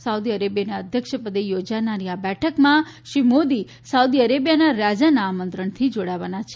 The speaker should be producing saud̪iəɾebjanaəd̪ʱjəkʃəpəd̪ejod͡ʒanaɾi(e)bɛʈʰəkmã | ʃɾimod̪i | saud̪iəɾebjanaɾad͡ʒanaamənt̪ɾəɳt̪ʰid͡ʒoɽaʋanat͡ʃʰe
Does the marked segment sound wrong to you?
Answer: yes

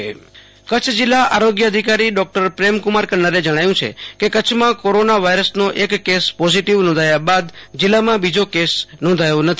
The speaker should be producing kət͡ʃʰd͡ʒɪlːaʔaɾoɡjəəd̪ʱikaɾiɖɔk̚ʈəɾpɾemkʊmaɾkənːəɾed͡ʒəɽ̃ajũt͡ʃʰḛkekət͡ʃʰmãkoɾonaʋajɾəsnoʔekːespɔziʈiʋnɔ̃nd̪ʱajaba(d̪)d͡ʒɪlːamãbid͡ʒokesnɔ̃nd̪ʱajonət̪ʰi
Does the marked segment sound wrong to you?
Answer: no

